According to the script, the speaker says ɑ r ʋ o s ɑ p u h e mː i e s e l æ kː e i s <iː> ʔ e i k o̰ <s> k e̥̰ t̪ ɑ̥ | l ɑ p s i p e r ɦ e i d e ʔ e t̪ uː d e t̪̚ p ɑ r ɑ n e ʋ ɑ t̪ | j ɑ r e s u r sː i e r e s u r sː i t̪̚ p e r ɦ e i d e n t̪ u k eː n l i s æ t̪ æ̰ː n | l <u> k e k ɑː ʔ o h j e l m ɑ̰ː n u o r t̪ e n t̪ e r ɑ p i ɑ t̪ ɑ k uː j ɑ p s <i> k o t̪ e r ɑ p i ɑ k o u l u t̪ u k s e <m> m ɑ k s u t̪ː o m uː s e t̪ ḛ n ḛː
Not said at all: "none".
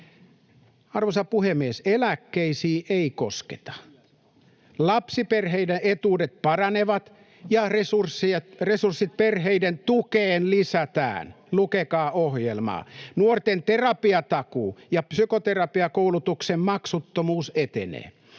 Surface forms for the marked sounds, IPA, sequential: iː, s, u, y, m

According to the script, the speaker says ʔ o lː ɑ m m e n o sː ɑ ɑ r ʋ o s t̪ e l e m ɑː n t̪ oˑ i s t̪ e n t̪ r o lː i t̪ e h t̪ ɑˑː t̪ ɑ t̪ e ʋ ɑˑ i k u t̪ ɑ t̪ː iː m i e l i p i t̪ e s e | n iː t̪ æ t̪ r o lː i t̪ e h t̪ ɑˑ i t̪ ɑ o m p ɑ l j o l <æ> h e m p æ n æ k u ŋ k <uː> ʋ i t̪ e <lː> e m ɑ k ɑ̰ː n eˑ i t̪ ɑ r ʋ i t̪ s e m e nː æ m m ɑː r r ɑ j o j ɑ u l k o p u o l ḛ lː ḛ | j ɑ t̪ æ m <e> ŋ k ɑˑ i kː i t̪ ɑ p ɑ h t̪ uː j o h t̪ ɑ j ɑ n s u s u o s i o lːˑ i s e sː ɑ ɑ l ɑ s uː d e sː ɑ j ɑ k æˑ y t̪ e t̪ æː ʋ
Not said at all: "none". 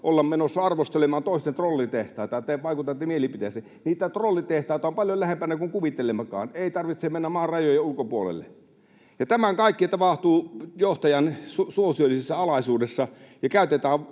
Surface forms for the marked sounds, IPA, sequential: æ, u, l, æ

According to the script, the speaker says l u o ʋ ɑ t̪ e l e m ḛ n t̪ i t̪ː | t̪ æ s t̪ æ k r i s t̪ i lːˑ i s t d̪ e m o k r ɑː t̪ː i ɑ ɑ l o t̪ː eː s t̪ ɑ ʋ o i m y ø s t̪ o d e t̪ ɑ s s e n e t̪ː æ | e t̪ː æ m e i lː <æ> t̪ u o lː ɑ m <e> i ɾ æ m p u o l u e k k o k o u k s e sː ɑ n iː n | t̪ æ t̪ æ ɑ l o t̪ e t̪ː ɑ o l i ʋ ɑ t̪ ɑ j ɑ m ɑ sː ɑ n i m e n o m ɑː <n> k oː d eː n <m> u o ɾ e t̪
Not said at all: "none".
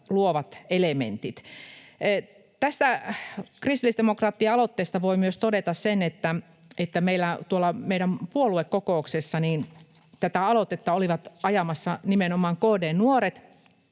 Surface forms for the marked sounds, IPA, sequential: æ, e, ŋ, n

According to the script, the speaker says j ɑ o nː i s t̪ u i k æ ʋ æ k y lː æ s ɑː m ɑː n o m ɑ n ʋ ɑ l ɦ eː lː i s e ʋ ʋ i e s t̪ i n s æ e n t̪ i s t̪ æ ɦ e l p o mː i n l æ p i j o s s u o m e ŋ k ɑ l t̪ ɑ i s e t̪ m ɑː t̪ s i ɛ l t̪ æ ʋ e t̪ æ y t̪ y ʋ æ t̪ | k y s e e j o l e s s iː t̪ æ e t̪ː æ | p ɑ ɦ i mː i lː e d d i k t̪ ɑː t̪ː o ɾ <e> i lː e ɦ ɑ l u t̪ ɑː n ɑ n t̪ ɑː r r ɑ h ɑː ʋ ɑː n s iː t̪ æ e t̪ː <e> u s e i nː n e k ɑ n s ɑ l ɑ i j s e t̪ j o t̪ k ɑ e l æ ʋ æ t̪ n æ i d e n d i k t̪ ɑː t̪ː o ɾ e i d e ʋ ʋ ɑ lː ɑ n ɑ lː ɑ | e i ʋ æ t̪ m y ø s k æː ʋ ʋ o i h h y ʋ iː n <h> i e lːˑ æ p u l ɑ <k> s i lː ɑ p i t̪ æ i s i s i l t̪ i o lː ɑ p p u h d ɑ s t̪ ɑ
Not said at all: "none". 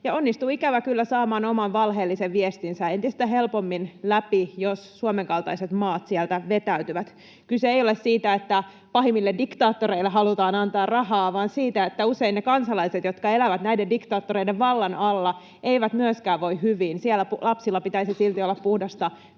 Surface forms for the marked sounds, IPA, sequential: e, æ, s, p

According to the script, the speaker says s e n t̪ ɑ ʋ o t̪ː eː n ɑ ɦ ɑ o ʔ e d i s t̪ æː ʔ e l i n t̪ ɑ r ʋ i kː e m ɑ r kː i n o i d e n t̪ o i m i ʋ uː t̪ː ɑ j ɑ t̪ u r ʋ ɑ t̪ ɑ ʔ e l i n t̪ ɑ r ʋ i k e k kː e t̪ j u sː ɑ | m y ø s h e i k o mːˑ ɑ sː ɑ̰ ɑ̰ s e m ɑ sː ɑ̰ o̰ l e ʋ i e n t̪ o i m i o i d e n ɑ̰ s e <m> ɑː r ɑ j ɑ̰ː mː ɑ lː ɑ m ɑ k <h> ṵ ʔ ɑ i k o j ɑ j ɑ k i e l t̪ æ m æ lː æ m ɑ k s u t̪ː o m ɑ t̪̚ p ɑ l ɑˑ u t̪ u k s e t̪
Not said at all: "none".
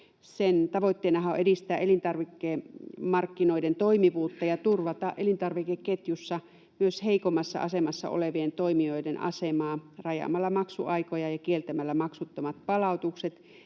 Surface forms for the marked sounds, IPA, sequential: m, s

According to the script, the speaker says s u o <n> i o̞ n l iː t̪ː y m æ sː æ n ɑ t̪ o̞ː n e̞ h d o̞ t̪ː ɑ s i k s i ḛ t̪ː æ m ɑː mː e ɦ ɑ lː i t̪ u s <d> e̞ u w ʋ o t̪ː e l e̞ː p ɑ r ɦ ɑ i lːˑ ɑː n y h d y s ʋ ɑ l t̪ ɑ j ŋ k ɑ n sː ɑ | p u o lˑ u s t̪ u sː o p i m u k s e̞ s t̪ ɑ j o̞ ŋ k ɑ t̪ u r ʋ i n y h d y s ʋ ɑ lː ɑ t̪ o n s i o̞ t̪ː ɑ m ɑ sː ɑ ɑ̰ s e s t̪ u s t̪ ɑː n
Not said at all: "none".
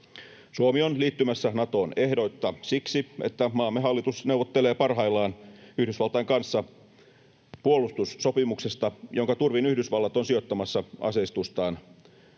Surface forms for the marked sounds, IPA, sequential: m, n

